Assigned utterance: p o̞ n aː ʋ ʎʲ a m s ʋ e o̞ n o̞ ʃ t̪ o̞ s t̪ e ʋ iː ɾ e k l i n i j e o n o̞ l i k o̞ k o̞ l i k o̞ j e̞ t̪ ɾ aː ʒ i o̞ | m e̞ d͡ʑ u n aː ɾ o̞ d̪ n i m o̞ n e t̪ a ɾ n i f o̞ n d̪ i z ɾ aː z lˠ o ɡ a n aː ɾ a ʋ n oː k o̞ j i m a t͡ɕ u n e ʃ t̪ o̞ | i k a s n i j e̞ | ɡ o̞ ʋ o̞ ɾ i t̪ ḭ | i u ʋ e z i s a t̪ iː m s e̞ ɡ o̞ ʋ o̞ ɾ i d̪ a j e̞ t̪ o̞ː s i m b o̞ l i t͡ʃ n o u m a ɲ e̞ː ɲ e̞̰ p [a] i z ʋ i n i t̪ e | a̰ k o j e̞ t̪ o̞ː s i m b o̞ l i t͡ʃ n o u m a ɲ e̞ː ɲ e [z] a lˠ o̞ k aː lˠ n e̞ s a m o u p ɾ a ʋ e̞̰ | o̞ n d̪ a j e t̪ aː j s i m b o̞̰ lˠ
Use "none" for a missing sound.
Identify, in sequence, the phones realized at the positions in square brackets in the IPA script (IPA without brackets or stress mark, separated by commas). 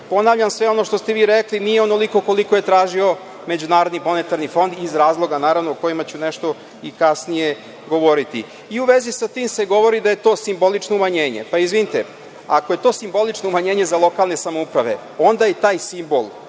a, z